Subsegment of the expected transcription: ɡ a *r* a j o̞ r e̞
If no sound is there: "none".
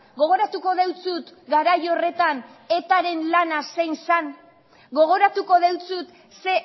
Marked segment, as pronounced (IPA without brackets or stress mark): ɾ